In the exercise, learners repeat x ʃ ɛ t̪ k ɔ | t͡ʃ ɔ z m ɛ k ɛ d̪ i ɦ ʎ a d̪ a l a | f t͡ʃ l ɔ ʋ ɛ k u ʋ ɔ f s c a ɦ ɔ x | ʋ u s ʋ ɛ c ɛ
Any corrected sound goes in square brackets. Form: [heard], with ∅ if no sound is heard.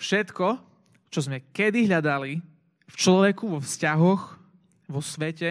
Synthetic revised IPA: [f] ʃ ɛ t̪ k ɔ | t͡ʃ ɔ z m ɛ k ɛ d̪ i ɦ ʎ a d̪ a l [i] | f t͡ʃ l ɔ ʋ ɛ k u ʋ ɔ f s c a ɦ ɔ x | ʋ [ɔ] s ʋ ɛ c ɛ